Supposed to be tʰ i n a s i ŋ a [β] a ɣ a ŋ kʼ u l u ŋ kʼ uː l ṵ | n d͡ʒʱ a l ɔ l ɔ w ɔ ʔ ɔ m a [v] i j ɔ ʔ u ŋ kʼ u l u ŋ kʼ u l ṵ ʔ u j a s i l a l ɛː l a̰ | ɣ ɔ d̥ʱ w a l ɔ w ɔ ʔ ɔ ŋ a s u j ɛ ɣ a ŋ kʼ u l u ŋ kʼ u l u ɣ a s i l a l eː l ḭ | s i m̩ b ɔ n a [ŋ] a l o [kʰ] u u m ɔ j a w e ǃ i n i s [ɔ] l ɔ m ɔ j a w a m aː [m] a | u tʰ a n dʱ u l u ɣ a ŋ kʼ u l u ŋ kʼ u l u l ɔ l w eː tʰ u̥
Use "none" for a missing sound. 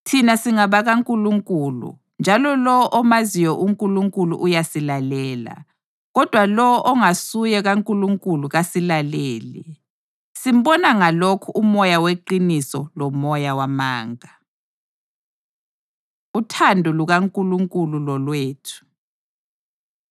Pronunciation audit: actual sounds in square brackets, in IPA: β, z, ŋ, kʰ, ɔ, ŋ

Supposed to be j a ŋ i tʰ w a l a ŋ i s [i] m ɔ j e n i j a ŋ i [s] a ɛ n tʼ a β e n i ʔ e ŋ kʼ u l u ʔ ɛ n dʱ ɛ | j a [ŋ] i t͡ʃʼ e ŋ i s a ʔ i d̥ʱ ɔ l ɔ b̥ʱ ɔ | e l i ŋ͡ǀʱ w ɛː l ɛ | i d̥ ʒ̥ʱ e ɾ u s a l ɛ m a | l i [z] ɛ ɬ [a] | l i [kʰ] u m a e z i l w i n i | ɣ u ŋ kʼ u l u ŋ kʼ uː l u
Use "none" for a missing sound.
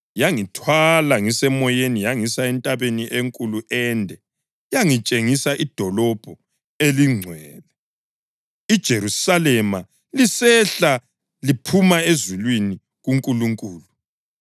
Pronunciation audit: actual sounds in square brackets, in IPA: ɛ, s, ŋ, s, a, pʰ

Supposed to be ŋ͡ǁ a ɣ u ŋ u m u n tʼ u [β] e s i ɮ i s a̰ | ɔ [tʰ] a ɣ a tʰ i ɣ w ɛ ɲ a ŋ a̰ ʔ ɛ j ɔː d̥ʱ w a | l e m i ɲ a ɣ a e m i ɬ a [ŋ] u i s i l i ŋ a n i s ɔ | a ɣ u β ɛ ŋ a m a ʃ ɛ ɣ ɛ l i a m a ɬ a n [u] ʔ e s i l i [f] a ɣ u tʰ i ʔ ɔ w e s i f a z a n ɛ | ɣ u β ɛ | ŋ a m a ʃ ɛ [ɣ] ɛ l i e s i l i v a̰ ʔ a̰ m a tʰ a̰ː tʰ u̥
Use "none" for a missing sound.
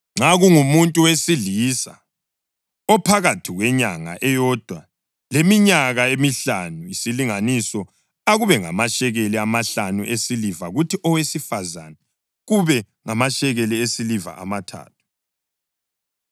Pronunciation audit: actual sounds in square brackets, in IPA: w, pʰ, n, u, v, ɣ

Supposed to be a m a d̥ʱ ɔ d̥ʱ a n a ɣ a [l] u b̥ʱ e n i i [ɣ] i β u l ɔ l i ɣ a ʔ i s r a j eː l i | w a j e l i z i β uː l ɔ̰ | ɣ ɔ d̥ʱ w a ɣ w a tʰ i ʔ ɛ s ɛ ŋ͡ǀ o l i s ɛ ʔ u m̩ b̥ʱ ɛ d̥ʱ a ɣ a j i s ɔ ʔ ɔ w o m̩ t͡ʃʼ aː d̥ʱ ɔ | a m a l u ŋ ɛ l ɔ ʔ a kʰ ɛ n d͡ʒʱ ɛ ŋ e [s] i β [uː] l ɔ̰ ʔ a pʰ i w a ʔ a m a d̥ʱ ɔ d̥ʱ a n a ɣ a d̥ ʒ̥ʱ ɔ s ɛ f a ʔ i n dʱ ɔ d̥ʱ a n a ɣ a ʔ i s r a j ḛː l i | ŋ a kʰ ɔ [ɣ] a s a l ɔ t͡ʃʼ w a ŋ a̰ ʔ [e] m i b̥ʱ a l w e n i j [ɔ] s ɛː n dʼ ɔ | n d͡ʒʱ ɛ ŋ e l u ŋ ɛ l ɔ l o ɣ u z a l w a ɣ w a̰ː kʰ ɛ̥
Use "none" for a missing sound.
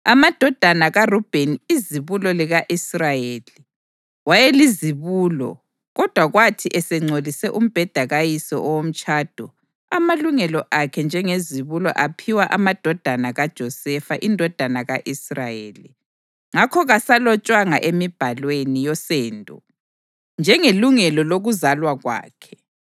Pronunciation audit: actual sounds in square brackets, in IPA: r, z, z, u, ɣ, e, ɔ

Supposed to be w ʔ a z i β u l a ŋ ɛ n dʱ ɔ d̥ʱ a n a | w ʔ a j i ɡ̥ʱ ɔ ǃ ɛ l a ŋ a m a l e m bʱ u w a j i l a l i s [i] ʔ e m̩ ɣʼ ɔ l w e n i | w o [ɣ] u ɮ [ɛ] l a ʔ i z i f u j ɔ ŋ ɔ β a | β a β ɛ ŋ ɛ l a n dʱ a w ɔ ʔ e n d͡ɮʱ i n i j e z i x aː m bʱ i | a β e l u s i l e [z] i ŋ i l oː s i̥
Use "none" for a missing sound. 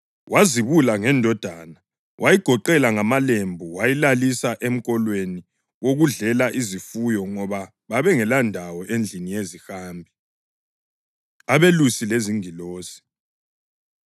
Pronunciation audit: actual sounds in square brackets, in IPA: a, ɣ, ɛ, z

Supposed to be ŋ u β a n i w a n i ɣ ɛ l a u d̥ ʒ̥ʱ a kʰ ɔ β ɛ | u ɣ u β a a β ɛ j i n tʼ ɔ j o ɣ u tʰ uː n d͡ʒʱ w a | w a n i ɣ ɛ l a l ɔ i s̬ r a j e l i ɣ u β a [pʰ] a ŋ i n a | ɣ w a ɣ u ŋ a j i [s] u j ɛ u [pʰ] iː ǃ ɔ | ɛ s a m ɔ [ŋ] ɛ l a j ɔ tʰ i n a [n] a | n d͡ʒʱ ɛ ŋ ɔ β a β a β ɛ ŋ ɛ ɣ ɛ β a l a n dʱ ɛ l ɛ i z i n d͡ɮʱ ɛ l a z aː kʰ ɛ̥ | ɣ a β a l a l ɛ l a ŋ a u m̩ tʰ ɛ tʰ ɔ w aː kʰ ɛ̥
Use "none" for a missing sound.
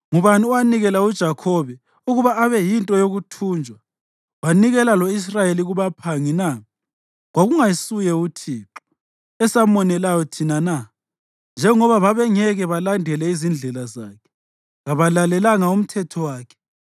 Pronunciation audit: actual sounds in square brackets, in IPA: pʰ, s, tʰ, n, n

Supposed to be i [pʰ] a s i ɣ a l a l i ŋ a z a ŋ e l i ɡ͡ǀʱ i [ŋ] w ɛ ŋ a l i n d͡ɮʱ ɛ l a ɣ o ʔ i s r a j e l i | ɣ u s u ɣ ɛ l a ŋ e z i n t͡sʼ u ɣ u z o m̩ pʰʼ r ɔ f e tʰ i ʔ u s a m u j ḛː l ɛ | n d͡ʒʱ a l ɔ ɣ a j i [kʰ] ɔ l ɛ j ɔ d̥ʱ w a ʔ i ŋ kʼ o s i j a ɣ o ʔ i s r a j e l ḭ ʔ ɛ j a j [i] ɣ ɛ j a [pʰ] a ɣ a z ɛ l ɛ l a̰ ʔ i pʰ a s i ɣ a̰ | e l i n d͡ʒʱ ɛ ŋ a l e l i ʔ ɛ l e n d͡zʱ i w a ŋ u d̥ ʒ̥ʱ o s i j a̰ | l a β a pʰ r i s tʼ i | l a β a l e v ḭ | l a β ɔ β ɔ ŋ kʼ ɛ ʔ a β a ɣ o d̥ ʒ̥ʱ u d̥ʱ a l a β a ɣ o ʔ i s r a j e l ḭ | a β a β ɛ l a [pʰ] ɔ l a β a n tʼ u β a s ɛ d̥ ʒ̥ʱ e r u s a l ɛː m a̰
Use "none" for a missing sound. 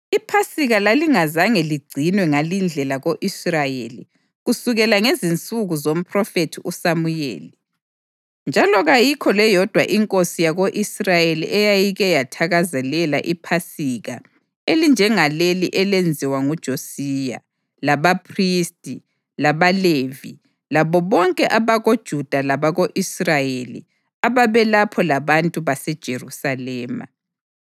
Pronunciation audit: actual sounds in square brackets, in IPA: pʰ, n, kʰ, i, tʰ, pʰ

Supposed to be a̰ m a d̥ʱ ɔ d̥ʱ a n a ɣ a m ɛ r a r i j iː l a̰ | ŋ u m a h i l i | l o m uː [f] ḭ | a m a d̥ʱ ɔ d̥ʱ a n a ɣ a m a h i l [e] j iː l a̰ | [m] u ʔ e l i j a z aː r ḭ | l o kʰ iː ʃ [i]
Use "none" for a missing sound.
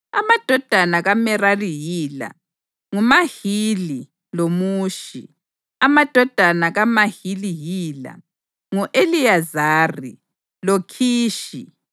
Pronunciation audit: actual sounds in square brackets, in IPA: ʃ, i, ŋ, i

